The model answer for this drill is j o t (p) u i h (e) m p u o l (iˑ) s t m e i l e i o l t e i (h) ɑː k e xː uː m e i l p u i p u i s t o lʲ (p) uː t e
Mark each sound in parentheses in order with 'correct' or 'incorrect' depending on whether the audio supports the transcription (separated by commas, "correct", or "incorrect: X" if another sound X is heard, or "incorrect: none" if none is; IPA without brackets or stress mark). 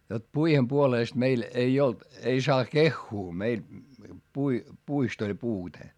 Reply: correct, correct, incorrect: eˑ, incorrect: s, correct